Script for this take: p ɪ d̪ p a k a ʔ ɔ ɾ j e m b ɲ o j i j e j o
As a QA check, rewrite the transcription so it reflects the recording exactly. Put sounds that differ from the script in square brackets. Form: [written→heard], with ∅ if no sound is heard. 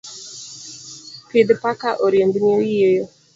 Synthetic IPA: p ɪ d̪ p a k a ʔ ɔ ɾ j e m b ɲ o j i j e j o